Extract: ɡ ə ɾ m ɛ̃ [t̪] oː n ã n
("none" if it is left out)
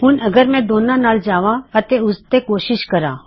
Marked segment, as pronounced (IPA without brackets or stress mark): d̪